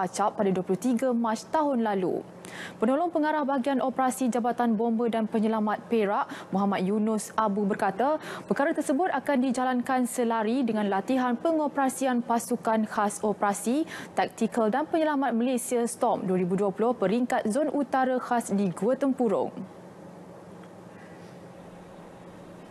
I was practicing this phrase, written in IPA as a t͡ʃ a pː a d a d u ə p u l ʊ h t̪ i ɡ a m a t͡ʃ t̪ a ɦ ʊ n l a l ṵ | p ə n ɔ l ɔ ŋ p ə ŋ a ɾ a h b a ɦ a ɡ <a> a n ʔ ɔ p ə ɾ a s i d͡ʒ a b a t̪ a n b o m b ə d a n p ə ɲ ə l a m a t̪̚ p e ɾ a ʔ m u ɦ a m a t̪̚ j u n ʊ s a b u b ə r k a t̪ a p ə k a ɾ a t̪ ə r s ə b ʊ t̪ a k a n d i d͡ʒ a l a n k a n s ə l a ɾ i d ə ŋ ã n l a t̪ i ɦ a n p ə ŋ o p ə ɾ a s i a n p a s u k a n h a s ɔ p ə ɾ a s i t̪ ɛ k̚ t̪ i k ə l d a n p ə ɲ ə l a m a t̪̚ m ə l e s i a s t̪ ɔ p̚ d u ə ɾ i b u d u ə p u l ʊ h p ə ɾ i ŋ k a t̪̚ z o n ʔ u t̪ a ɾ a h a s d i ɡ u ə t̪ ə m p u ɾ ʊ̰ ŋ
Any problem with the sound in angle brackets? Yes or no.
yes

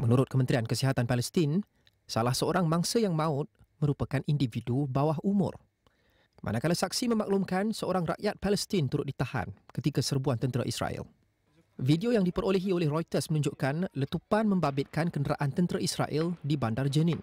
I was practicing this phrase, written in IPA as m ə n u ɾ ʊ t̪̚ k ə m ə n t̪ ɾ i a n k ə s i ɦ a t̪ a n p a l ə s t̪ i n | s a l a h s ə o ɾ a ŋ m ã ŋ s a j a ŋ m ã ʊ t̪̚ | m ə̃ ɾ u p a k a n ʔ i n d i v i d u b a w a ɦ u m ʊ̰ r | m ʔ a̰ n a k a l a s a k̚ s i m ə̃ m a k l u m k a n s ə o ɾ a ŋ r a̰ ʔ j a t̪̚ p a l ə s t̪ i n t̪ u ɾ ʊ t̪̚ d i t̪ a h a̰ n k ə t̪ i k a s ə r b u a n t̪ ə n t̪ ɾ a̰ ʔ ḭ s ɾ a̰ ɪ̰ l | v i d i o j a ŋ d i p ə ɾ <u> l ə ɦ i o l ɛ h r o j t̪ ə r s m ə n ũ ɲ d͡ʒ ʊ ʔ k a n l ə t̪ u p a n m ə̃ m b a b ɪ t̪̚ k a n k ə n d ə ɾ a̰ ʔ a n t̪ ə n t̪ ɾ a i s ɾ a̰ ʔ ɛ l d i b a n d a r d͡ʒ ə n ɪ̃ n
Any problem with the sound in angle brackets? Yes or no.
yes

